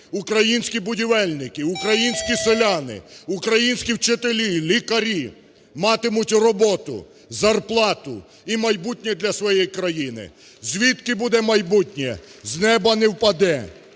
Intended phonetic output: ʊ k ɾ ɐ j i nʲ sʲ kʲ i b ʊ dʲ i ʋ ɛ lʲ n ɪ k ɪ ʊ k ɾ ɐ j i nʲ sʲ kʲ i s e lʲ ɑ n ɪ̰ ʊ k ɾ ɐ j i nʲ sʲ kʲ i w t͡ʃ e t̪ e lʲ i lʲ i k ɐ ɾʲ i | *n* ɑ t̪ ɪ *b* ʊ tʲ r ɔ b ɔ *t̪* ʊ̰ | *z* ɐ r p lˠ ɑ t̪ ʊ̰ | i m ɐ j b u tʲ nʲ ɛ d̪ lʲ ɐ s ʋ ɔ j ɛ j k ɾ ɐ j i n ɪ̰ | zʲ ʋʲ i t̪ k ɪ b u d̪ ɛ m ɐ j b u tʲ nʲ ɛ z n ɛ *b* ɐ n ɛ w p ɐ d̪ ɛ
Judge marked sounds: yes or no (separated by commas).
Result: no, no, yes, yes, yes